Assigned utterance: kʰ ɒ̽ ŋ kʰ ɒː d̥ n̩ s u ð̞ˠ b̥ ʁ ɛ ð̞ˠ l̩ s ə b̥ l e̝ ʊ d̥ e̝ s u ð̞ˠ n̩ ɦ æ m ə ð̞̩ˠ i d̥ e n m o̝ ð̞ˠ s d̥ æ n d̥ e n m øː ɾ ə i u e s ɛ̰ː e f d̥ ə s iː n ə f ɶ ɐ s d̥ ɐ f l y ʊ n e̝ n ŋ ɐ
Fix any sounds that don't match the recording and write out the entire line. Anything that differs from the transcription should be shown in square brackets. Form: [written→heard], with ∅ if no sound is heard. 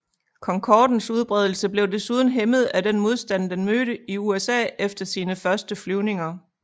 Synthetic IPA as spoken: kʰ ɒ̽ ŋ kʰ ɒː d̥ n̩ s u ð̞ˠ b̥ ʁ ɛ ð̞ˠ l̩ s ə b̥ l e̝ ʊ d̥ e̝ s u ð̞ˠ n̩ ɦ [æ→e] m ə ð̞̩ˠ [i→æ] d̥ e n m o̝ ð̞ˠ s d̥ æ n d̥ e n m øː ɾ ə i u e s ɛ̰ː e f d̥ [ə→ɐ] s iː n ə f ɶ ɐ s d̥ [ɐ→ə] f l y ʊ n e̝ [n→∅] ŋ ɐ